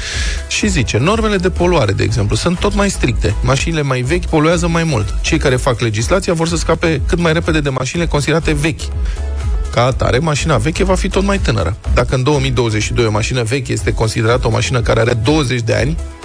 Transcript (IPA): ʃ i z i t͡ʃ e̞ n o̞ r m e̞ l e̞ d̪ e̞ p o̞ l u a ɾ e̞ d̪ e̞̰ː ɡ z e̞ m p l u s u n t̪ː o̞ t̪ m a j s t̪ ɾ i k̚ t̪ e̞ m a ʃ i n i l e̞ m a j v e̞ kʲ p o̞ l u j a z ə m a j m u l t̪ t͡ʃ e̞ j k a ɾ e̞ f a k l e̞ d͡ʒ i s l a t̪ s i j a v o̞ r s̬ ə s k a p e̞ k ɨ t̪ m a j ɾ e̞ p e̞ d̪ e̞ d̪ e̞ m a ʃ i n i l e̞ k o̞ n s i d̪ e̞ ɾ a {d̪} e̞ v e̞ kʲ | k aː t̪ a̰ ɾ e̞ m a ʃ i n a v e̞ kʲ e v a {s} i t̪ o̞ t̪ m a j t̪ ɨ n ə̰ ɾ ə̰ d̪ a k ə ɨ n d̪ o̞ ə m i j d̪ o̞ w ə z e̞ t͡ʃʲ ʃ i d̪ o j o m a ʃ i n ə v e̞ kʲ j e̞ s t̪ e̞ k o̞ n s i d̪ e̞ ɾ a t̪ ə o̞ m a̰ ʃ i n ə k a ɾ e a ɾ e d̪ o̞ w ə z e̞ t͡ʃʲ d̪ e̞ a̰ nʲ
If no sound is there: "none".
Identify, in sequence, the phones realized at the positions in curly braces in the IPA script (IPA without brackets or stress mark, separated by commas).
t̪, f